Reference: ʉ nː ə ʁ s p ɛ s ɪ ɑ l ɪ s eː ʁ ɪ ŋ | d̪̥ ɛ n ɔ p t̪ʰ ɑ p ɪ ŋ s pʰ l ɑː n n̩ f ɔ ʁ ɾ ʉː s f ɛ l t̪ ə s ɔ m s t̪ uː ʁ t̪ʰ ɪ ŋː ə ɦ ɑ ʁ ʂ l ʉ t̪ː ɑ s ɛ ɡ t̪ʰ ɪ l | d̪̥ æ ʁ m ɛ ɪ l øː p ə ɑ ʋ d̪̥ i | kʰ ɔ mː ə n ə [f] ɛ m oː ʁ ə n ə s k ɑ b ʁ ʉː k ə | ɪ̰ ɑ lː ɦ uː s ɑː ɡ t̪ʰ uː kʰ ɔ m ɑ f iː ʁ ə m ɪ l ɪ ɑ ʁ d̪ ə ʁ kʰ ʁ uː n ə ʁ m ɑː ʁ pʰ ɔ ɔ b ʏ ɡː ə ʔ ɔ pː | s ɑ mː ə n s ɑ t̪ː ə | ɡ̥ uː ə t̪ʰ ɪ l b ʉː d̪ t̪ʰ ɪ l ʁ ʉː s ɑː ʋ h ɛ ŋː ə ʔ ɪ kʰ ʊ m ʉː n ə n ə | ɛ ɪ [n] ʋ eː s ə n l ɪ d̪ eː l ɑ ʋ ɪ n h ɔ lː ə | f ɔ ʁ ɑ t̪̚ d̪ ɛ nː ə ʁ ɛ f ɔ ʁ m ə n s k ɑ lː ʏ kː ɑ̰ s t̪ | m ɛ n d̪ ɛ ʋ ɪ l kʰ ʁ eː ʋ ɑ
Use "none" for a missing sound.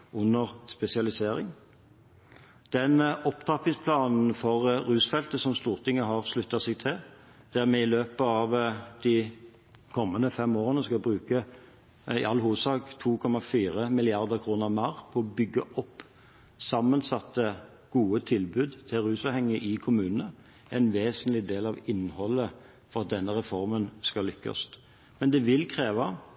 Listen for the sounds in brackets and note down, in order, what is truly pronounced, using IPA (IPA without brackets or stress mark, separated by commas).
f, n